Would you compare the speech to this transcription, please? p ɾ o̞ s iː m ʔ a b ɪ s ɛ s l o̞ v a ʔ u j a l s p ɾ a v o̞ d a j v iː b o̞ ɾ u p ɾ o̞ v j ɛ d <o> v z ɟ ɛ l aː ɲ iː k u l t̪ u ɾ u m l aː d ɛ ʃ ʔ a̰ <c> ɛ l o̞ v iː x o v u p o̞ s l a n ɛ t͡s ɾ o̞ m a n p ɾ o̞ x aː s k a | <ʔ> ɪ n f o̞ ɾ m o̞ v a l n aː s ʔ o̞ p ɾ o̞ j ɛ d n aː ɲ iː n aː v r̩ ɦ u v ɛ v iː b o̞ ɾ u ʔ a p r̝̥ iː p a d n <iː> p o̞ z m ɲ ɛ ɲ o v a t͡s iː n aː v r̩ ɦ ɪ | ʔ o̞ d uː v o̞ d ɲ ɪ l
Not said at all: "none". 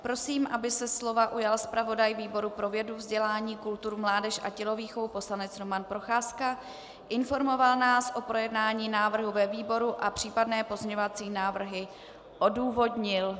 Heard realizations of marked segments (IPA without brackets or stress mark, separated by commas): u, c, ʔ, ɛː